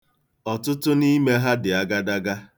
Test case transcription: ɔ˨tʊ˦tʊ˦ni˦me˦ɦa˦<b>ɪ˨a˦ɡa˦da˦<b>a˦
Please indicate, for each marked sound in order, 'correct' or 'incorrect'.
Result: incorrect: d, incorrect: ɡ

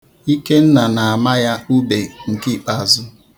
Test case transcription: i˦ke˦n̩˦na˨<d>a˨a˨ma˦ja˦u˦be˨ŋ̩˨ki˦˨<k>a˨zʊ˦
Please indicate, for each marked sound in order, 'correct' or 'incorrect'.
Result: incorrect: n, incorrect: k͡p

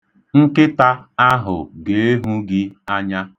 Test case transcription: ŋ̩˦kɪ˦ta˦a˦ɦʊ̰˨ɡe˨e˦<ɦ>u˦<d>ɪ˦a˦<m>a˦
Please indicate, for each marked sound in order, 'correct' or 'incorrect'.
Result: correct, incorrect: ɡ, incorrect: ɲ

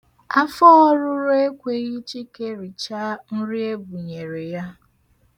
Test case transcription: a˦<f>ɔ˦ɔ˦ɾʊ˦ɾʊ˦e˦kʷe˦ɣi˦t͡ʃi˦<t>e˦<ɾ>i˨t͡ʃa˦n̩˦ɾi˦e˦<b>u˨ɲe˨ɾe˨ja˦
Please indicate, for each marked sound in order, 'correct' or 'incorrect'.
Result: correct, incorrect: k, correct, correct

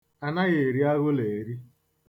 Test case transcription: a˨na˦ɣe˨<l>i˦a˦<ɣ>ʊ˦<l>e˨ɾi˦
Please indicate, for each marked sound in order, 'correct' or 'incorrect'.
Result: incorrect: ɾ, correct, correct

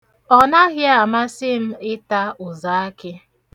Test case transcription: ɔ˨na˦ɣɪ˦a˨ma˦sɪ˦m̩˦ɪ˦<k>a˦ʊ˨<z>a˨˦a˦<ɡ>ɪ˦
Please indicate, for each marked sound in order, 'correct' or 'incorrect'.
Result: incorrect: t, correct, incorrect: k

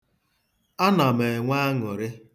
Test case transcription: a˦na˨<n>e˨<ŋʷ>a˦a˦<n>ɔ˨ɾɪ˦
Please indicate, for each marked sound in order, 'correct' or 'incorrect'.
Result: incorrect: m, correct, incorrect: ŋ

